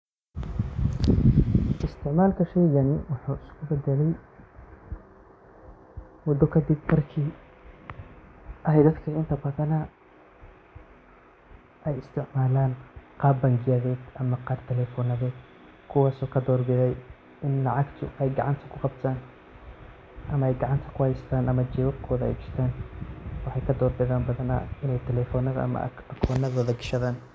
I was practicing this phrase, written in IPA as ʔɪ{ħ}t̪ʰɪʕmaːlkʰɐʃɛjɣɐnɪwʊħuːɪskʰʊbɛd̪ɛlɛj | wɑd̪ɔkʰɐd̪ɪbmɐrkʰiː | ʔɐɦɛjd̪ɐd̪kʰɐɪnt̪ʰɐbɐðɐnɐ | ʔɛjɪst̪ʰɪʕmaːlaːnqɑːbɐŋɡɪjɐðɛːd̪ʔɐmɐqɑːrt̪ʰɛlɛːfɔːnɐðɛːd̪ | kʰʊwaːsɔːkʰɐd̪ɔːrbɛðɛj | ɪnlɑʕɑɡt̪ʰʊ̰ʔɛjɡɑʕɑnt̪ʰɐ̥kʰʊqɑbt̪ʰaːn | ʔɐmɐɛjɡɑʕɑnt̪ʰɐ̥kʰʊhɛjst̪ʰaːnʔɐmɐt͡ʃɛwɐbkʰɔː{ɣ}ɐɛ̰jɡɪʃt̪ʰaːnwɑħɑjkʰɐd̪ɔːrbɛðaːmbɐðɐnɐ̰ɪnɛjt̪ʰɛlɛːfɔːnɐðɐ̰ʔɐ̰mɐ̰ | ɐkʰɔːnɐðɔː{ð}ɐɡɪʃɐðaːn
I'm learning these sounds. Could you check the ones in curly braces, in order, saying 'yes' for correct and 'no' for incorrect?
no, no, yes

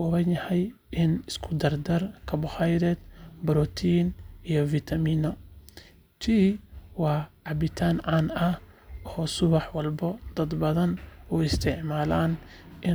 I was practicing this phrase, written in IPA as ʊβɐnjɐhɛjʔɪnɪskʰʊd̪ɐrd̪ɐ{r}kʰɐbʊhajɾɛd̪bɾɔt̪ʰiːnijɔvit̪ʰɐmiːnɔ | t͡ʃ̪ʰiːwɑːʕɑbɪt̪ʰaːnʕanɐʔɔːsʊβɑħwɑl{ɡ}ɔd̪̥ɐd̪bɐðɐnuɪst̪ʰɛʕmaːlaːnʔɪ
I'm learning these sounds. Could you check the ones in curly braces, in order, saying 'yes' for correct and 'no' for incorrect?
yes, no

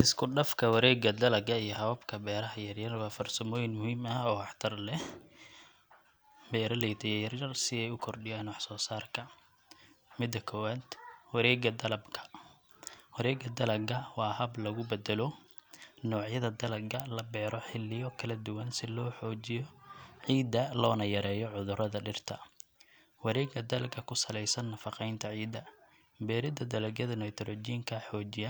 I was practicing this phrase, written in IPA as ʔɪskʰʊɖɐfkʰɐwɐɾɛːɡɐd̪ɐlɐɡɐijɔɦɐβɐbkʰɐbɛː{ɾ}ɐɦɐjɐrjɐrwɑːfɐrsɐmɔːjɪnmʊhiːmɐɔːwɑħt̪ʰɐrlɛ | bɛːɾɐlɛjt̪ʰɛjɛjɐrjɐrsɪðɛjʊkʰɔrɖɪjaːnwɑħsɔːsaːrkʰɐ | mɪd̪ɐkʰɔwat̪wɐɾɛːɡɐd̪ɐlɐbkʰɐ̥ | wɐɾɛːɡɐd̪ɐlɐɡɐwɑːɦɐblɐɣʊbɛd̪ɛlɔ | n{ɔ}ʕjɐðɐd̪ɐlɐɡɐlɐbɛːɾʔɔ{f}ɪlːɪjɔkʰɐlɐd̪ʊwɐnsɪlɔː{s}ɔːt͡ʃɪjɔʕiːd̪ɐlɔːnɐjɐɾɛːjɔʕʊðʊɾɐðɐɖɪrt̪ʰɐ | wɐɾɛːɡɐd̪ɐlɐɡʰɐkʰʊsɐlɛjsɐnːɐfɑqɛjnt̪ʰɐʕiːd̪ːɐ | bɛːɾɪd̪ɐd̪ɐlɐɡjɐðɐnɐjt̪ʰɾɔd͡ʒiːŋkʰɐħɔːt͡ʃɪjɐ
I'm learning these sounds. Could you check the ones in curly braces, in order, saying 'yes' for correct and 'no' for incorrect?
yes, no, no, no

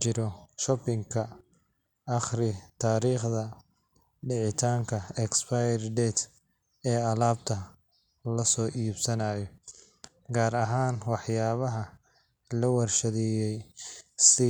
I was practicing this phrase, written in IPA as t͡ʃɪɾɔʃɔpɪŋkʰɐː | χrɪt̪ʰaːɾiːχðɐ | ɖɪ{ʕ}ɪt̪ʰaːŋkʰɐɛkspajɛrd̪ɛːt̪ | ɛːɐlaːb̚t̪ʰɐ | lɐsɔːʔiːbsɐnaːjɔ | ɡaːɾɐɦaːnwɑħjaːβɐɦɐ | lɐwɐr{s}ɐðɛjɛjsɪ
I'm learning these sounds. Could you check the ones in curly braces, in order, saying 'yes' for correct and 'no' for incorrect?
yes, no

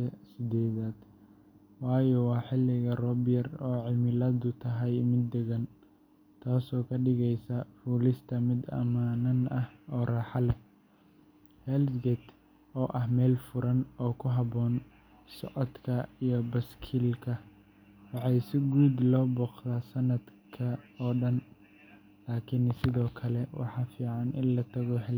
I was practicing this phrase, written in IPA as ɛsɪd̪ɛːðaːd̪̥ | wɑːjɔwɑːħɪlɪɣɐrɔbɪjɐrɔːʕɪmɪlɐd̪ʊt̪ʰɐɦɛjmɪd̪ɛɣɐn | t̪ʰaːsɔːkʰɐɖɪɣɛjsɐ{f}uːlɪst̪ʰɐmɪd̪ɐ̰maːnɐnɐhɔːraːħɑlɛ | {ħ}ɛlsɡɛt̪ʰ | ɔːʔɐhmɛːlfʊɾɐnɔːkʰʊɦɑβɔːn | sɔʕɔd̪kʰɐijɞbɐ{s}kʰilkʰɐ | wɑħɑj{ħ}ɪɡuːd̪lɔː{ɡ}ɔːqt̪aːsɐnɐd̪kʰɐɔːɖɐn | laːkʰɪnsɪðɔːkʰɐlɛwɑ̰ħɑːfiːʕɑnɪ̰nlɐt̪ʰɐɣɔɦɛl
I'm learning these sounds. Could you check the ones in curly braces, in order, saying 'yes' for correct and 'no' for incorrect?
yes, no, yes, no, no

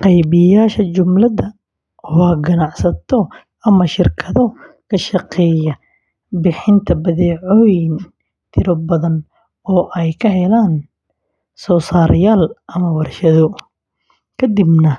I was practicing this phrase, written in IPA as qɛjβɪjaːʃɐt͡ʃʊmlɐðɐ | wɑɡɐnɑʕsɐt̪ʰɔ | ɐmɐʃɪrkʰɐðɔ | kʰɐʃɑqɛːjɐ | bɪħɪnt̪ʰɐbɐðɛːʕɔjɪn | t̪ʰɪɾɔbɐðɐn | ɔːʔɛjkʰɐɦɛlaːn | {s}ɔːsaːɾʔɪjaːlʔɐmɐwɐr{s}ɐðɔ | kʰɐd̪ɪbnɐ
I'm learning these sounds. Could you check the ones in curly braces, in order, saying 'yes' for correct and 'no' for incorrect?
yes, no

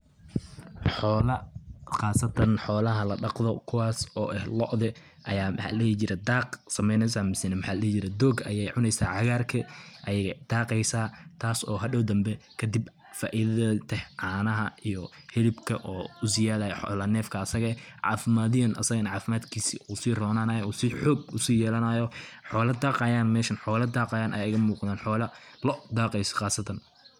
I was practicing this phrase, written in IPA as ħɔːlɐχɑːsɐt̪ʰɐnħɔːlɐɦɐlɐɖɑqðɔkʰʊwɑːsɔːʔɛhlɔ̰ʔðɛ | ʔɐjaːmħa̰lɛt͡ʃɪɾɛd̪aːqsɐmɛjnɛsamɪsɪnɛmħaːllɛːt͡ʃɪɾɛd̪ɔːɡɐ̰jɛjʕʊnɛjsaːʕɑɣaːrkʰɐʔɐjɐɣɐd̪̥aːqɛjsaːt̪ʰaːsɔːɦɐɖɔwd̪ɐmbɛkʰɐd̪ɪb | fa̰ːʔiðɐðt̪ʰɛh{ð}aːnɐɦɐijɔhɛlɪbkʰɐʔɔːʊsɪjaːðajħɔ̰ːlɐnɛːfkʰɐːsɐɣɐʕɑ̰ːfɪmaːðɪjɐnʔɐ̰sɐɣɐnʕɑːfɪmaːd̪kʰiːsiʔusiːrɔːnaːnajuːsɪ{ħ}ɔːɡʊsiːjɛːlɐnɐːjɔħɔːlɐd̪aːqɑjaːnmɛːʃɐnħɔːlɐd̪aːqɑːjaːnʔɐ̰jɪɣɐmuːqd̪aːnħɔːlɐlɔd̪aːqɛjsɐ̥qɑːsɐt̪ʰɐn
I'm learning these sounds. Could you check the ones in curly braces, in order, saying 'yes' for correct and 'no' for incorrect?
no, yes

